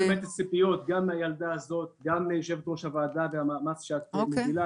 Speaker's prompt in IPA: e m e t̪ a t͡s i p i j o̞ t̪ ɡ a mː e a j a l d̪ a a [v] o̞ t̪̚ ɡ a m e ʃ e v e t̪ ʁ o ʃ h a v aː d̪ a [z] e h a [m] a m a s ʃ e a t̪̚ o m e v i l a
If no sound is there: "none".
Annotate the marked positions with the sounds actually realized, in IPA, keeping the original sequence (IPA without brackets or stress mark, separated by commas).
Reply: z, v, m